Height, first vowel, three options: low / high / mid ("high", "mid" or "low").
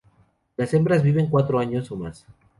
low